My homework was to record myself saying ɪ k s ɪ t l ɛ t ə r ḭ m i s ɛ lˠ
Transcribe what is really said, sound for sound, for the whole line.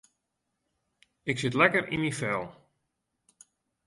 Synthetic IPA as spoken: ɪ k s ɪ t l ɛ k ə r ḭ m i f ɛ lˠ